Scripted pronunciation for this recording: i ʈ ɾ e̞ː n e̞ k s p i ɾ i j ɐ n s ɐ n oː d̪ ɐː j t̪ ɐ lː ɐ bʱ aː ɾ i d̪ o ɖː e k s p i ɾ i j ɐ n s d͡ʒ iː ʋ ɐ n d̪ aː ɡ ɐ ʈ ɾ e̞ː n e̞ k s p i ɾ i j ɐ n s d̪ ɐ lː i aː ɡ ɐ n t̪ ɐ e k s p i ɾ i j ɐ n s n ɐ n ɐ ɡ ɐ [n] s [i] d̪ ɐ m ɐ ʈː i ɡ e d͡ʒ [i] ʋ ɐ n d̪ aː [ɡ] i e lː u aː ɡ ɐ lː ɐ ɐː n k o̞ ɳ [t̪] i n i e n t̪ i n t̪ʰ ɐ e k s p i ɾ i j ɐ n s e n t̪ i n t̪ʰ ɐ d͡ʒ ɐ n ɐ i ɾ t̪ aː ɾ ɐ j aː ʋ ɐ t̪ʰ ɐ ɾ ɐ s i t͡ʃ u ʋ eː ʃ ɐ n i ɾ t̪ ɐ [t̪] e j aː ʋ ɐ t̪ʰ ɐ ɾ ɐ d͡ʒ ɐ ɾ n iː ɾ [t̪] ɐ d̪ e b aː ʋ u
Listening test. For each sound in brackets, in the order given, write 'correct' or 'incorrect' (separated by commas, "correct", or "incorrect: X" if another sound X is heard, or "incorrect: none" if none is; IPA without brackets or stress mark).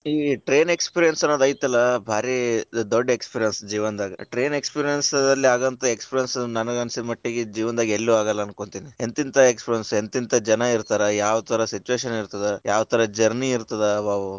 correct, correct, incorrect: iː, correct, correct, incorrect: d̪, correct